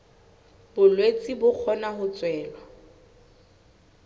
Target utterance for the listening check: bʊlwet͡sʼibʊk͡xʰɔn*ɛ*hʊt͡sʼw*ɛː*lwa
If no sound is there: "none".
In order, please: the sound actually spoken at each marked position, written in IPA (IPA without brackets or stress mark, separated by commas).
a, ɛː